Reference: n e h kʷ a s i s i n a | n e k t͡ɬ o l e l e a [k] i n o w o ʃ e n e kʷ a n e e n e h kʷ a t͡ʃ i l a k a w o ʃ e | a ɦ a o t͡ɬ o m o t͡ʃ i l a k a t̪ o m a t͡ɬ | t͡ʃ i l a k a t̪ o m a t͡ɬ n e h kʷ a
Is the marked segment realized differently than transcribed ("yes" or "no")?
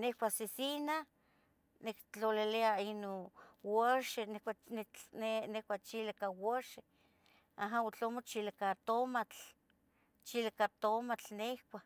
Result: yes